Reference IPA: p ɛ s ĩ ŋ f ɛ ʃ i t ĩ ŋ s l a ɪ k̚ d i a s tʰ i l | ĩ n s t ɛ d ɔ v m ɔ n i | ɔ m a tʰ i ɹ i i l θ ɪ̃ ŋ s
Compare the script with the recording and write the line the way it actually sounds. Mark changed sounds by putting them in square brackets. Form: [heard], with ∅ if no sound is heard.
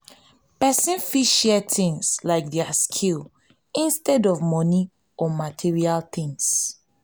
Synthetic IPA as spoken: p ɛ s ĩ [n] f [i] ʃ [ɛ] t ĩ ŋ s l a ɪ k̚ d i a s [kʰ] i l | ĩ n s t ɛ d ɔ v m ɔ n i | ɔ m a tʰ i ɹ i [a] l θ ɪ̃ ŋ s

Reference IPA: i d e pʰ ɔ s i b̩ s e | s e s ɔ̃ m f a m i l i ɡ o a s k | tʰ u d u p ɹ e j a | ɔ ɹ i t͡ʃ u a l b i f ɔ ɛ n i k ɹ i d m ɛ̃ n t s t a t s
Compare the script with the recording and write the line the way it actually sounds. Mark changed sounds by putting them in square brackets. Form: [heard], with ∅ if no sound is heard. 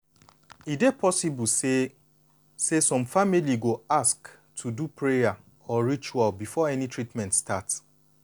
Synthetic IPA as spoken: i d e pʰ ɔ s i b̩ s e | s e s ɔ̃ m f a m i l i ɡ o a s k | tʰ u d u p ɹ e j a | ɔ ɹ i t͡ʃ u a l b i f ɔ ɛ n i [t] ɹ i [t] m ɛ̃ n t s t a t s

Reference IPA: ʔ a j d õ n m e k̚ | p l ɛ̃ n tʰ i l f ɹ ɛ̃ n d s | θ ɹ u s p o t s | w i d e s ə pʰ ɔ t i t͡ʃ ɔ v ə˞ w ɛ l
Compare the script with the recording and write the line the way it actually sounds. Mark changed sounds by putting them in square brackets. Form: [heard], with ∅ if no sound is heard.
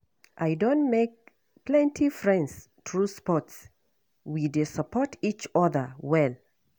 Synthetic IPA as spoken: ʔ a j d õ n m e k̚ | p l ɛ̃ n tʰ i [∅] f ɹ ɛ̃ n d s | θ ɹ u s p [ɔ] t s | w i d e s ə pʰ ɔ t i t͡ʃ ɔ [ð] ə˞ w ɛ l

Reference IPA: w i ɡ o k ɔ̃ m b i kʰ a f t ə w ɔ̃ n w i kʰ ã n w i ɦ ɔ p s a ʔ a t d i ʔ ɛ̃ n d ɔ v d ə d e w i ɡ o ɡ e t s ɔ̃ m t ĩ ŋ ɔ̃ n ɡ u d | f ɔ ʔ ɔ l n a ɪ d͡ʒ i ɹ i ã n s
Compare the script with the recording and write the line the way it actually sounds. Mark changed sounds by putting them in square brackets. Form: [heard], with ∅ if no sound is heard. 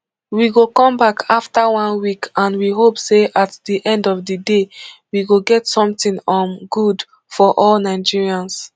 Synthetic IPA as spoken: w i ɡ o k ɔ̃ m b [a] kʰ a f t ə w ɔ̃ n w i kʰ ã n w i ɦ [o] p s [e] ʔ a t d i ʔ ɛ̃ n d ɔ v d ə d e w i ɡ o ɡ [ɛ] t s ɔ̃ m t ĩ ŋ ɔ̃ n ɡ u d | f ɔ ʔ ɔ l n a ɪ d͡ʒ i ɹ i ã n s

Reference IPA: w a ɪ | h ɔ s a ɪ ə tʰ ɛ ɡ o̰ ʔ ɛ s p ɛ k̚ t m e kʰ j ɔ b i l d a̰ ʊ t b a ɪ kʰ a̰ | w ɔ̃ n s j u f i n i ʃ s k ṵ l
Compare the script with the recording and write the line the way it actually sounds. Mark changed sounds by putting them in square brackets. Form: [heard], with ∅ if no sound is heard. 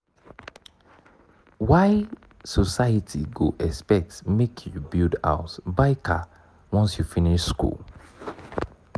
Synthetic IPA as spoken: w a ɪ | [s] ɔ s a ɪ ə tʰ [i] ɡ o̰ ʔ ɛ s p ɛ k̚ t m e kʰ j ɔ b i l d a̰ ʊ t b a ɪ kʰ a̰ | w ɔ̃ n s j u f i n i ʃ s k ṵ l

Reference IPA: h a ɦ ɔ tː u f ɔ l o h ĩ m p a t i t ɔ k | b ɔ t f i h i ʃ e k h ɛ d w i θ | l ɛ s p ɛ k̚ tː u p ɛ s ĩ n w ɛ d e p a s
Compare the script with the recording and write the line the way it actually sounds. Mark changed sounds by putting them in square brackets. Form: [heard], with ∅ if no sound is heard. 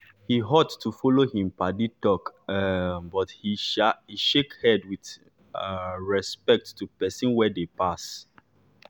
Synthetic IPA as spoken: h [i] ɦ ɔ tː u f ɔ l o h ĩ m p a [d] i t ɔ k | b ɔ t [h] i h i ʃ e k h ɛ d w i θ | [ɹ] ɛ s p ɛ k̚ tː u p ɛ s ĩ n w ɛ d e p a s

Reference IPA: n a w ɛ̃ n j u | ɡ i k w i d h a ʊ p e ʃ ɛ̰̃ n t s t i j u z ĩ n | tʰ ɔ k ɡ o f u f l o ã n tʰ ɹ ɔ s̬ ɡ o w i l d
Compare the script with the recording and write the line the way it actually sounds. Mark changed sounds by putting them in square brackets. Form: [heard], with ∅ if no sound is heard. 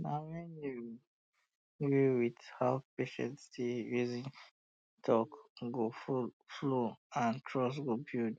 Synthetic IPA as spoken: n a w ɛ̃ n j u | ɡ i [∅] w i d h a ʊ p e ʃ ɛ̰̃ n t s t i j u z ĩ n | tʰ ɔ k ɡ o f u f l o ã n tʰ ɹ ɔ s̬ ɡ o [b] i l d

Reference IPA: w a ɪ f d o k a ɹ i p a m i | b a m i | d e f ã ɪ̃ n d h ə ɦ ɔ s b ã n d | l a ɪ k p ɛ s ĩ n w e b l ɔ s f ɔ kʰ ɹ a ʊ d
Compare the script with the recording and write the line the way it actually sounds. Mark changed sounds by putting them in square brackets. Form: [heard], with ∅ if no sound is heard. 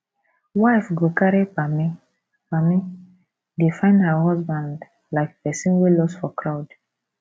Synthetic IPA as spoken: w a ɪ f [ɡ] o k a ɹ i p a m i | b a m i | d e f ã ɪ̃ n d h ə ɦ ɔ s b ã n d | l a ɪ k p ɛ s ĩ n w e [∅] l ɔ s f ɔ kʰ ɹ a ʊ d

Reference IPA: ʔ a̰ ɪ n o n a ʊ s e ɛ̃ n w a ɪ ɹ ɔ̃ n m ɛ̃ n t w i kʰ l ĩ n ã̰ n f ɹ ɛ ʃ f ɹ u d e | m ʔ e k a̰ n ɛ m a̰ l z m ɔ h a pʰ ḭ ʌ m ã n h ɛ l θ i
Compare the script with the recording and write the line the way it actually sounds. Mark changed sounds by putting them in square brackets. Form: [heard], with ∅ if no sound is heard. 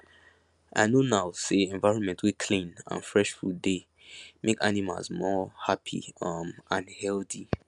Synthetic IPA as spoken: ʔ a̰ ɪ n o n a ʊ s e ɛ̃ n [v] a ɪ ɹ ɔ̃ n m ɛ̃ n t w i kʰ l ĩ n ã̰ n f ɹ ɛ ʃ f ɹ u d e | m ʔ e k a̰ n [i] m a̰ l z m ɔ h a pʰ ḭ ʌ m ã n h ɛ l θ i

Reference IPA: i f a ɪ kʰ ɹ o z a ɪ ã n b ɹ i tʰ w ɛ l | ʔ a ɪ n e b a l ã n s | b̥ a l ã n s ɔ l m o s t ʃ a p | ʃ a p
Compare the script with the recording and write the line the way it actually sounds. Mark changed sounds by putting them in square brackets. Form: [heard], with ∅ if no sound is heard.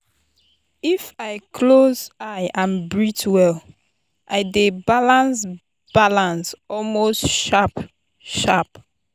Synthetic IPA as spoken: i f a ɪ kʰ [l] o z a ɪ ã n b ɹ i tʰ w ɛ l | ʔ a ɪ [d] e b a l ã n s | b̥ a l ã n s ɔ l m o s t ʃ a p | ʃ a p

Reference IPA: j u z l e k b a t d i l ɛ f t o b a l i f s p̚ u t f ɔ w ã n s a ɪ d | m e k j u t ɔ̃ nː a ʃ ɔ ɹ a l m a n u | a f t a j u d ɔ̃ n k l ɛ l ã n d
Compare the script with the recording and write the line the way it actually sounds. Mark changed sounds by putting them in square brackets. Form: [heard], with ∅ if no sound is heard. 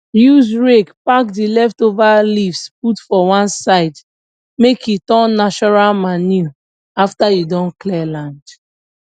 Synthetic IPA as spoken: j u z [ɹ] e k [p] a [k] d i l ɛ f t o [v] a l i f s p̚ u t f ɔ w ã n s a ɪ d | m e k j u t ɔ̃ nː a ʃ ɔ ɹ a l m a n u | a f t a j u d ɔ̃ n k l ɛ l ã n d

